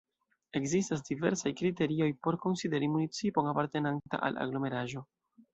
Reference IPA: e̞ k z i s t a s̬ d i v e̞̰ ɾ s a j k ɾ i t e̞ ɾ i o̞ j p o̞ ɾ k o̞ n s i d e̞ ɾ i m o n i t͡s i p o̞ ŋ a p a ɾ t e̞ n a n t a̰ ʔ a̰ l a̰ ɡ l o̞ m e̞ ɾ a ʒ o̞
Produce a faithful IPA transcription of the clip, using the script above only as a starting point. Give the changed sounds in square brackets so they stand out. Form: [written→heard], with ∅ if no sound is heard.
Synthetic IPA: e̞ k z i s t a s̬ d i v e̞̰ ɾ s a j k ɾ i t e̞ ɾ i o̞ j p o̞ ɾ k o̞ n s i d e̞ ɾ i m [o→u] n i t͡s i p o̞ ŋ a p a ɾ t e̞ n a n t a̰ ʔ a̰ l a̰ ɡ l o̞ m e̞ ɾ a ʒ o̞